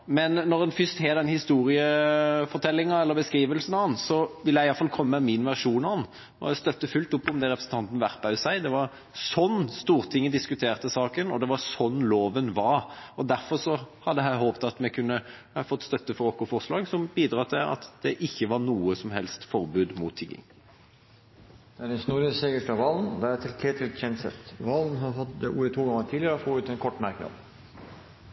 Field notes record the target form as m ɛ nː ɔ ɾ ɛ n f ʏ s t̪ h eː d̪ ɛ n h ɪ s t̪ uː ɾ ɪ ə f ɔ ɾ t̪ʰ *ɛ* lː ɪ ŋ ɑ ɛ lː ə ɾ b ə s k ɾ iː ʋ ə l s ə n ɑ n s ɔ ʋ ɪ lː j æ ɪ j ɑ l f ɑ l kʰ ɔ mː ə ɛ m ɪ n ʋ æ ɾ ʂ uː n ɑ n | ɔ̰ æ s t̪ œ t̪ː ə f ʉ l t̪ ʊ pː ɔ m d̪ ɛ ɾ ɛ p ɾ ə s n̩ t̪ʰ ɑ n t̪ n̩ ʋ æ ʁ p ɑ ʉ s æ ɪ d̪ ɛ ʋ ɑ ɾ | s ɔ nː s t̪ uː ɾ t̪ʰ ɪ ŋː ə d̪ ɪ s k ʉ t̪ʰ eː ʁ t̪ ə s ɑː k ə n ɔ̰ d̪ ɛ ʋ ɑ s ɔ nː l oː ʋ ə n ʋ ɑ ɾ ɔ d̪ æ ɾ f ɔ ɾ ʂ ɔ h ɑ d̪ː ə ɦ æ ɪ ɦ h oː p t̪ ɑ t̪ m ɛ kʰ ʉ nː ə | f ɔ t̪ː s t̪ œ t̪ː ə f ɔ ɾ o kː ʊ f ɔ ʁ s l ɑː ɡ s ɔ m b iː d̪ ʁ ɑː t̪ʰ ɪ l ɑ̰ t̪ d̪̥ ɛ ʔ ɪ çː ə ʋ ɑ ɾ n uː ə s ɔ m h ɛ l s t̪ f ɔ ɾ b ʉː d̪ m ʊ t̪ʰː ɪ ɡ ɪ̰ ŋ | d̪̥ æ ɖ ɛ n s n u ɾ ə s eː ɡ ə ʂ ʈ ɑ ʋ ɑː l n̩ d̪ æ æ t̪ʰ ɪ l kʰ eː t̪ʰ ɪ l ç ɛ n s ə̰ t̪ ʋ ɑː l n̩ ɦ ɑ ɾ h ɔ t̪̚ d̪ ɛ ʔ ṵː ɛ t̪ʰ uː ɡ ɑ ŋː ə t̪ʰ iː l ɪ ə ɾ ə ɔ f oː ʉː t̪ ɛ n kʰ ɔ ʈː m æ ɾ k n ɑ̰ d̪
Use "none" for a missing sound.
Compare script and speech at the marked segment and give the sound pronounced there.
ɛ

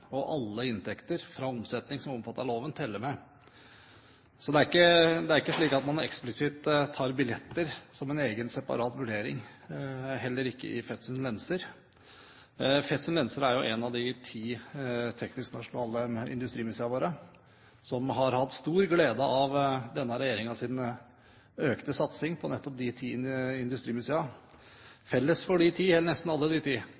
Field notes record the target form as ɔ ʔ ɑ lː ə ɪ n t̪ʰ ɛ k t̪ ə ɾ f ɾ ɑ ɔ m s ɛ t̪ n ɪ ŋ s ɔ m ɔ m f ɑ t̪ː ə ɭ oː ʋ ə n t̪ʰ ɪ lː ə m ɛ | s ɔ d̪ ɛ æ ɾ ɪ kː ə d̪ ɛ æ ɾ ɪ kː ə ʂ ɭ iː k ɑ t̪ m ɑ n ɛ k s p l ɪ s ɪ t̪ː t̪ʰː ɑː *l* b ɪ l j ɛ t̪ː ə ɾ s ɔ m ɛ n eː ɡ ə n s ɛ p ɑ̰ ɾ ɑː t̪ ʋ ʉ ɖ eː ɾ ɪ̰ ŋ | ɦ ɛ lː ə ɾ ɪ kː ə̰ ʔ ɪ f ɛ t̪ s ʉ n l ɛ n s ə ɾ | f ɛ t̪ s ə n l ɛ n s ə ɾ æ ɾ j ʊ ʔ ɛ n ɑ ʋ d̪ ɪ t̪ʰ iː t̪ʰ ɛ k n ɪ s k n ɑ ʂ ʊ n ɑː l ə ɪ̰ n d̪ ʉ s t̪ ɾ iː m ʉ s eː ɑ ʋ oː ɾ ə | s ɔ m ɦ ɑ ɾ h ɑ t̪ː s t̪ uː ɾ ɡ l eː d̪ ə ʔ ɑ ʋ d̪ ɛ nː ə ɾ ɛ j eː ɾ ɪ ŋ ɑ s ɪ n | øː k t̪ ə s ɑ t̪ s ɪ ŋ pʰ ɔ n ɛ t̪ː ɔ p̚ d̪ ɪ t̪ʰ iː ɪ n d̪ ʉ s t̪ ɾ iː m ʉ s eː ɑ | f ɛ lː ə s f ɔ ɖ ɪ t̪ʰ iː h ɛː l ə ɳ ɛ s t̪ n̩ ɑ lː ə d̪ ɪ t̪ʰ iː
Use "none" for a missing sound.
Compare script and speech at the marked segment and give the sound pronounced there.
ɾ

